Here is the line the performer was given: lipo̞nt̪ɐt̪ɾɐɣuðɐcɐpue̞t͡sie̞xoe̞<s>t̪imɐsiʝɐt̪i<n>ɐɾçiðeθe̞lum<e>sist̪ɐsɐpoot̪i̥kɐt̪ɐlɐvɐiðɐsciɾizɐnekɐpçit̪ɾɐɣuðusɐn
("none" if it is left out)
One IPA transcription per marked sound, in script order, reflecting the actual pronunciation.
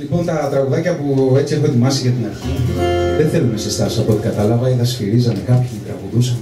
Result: none, n, e

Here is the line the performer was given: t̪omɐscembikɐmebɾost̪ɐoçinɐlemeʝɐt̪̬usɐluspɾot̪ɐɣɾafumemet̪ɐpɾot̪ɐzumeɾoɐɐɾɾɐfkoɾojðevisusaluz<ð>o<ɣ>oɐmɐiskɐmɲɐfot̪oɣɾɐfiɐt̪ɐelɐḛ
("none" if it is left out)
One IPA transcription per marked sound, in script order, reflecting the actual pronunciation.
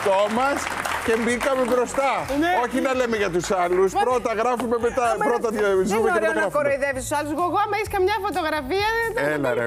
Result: ɣ, ɣ

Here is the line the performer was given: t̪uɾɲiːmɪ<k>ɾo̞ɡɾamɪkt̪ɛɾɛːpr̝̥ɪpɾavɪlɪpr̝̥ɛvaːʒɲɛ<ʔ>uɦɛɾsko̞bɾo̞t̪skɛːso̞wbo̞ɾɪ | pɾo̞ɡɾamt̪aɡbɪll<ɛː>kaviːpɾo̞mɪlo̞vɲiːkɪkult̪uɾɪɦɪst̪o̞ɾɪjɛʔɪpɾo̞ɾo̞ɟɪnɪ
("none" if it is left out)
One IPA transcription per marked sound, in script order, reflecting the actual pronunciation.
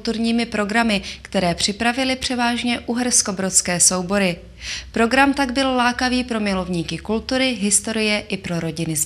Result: p, ʔ, aː

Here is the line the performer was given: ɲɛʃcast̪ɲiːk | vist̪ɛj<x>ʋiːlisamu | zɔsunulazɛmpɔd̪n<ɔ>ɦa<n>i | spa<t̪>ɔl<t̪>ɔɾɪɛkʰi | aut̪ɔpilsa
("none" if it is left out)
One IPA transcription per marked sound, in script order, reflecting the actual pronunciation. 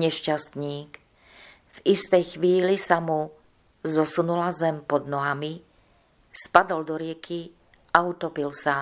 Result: x, ɔ, m, d̪, d̪

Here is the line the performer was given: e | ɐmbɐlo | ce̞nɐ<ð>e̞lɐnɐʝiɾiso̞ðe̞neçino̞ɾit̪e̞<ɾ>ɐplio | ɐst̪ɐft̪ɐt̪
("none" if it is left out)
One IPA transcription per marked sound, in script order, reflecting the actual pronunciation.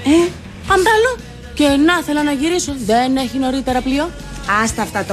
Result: θ, ɾ

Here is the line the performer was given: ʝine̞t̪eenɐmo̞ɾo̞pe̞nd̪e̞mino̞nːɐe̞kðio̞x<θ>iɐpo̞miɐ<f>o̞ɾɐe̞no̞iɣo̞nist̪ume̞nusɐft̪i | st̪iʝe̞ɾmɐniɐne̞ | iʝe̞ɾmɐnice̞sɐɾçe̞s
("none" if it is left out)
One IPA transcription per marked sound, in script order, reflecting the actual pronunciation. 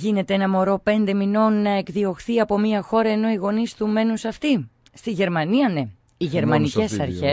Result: θ, x

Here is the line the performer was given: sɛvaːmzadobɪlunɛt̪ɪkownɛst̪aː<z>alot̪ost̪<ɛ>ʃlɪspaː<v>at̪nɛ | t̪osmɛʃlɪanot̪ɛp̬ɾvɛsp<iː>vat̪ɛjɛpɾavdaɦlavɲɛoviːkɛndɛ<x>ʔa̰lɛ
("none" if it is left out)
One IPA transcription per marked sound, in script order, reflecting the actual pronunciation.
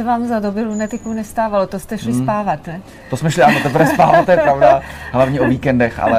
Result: v, ɛ, v, aː, x

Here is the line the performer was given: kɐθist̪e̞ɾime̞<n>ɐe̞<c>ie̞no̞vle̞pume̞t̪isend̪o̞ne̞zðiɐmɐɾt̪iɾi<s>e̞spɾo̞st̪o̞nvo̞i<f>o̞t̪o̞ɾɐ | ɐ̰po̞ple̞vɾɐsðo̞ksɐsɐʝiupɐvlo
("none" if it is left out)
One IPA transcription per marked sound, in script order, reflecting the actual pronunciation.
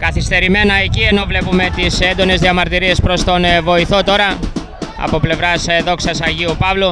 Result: n, c, none, θ

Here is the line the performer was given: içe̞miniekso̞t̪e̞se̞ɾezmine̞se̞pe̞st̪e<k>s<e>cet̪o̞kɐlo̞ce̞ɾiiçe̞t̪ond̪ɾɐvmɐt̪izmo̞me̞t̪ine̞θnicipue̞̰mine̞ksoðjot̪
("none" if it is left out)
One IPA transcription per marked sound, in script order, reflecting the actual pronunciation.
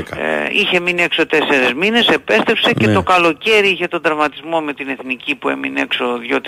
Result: p, e

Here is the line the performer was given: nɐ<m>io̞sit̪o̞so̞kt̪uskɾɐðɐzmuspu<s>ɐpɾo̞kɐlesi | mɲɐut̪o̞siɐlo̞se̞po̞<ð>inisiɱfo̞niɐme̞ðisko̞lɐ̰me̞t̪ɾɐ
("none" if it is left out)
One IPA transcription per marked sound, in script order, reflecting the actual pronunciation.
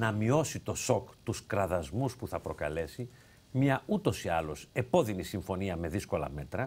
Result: m, θ, ð

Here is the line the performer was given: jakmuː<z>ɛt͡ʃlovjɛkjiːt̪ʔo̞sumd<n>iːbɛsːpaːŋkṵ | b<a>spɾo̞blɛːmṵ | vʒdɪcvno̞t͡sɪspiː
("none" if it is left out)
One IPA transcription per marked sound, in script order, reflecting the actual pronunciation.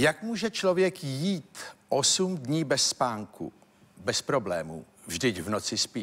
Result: ʒ, ɲ, ɛ

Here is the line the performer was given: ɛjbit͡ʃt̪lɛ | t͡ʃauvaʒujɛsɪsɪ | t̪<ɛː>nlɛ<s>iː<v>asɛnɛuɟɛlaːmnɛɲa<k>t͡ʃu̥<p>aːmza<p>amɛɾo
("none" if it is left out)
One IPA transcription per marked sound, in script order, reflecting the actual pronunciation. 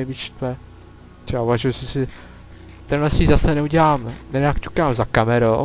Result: ɛ, s, z, k, k, k

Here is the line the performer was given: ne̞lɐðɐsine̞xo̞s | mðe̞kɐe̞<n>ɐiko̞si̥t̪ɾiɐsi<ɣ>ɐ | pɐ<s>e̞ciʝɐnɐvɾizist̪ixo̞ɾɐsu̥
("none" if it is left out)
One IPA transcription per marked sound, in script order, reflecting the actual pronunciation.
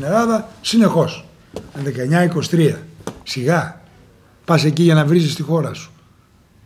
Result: ɲ, ɣ, s

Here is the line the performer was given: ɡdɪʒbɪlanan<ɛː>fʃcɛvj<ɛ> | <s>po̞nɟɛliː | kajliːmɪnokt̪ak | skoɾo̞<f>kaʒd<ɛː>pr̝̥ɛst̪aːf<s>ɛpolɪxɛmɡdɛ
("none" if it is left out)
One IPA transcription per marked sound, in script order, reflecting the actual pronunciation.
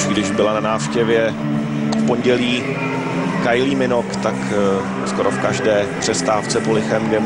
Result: aː, ɛ, f, f, ɛː, t͡s

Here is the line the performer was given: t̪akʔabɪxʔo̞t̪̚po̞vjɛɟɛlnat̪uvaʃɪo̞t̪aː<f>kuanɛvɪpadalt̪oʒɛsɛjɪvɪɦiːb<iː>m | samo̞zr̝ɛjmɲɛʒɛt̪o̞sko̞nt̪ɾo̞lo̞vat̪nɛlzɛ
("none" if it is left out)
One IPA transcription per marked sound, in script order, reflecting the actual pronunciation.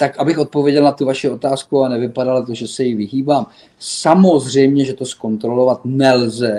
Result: s, aː

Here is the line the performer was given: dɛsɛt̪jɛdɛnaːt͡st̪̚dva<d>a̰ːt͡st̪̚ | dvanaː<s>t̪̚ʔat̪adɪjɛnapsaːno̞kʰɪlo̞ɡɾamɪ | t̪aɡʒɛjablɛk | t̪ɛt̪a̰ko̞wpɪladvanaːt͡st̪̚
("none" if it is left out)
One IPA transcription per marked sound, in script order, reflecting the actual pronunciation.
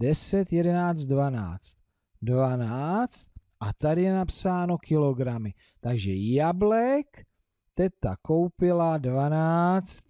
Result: n, t͡s

